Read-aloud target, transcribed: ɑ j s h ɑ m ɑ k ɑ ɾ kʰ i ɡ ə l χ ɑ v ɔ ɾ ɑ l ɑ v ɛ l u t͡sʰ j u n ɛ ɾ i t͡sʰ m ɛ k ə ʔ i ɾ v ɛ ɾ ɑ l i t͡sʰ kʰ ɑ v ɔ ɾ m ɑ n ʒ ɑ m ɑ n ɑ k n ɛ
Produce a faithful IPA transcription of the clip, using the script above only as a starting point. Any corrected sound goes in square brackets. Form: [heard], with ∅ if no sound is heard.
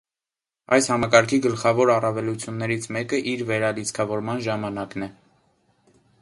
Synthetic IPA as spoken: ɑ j s h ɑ m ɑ k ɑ ɾ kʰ i ɡ ə l χ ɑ v ɔ ɾ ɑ [r] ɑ v ɛ l u t͡sʰ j u [nː] ɛ ɾ i t͡sʰ m ɛ k ə ʔ i ɾ v ɛ ɾ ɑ l i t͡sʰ kʰ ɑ v ɔ ɾ m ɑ n ʒ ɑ m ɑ n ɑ k n ɛ